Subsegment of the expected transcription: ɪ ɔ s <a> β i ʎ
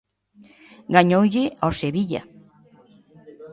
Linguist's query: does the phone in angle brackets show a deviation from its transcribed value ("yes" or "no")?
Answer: yes